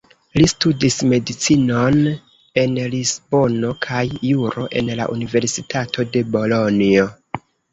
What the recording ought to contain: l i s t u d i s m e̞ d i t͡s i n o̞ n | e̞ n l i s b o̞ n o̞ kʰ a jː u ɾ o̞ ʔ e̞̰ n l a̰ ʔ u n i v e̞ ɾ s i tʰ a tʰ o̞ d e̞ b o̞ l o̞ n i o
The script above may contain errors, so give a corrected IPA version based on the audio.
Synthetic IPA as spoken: l i s t u d i s m e̞ d i t͡s i n o̞ n | e̞ n l i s b o̞ n o̞ kʰ a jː u ɾ o̞ ʔ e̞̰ n l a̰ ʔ u n i v e̞ ɾ s i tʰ a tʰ o̞ d e̞ b o̞ l o̞ n i o